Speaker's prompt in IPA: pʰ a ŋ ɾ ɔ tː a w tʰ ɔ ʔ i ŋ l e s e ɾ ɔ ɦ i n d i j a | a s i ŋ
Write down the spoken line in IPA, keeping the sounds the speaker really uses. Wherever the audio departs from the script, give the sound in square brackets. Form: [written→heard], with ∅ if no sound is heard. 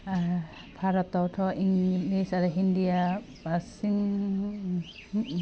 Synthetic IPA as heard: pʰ a [ŋ→∅] ɾ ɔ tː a w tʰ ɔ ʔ i ŋ l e s [e→a] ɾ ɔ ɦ i n d i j a | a s i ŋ